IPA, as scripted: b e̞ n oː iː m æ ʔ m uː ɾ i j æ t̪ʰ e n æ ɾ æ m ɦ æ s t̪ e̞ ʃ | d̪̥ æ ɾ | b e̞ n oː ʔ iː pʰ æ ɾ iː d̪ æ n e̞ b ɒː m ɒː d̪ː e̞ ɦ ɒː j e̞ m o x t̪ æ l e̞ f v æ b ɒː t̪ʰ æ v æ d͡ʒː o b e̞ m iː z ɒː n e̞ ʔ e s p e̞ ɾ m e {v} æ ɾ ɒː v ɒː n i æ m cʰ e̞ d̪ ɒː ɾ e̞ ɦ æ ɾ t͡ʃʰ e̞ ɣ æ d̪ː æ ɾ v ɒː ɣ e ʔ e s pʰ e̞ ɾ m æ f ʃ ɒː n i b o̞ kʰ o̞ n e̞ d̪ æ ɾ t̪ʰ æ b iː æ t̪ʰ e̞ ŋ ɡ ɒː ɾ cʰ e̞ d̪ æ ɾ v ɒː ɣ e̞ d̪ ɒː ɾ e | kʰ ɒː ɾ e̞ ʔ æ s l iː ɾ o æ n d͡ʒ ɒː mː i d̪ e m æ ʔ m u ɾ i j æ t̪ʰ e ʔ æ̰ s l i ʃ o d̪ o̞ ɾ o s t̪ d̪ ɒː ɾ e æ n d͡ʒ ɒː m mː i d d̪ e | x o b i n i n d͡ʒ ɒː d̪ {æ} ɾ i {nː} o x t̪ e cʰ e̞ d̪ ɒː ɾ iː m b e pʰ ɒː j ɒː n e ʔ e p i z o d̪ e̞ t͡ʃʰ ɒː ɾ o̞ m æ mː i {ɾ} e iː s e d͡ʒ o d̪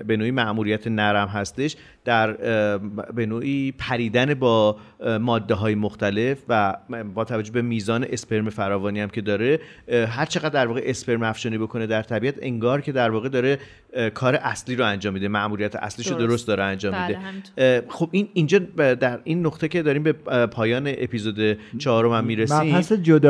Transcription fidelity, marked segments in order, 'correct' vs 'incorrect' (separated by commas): incorrect, correct, correct, correct